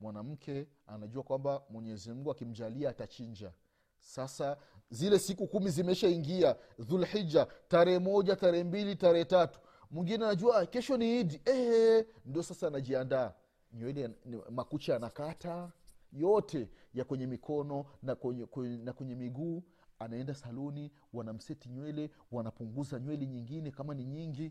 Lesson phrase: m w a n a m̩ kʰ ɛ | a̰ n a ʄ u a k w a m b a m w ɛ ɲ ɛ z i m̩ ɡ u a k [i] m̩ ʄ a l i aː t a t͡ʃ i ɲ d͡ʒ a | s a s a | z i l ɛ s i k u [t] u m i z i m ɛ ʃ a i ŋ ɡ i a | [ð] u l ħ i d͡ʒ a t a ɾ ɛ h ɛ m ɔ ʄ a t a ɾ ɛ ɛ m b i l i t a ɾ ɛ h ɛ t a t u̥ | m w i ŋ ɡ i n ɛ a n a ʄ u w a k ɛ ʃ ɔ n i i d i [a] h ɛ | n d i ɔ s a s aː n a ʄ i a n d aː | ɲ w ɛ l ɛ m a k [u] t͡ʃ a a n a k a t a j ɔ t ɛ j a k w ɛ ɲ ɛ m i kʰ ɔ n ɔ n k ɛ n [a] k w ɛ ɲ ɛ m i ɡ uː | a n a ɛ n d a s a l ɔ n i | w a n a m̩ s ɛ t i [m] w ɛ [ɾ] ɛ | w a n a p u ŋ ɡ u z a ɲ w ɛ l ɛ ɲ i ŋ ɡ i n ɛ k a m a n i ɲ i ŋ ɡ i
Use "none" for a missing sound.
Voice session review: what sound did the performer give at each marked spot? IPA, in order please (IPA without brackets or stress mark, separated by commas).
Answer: i, k, ð, ɛ, u, a, ɲ, l